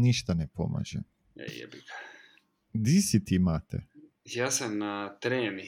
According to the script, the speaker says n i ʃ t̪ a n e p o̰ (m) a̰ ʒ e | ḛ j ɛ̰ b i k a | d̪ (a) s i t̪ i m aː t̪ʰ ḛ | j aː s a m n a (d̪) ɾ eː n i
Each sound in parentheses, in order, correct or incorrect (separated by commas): correct, incorrect, incorrect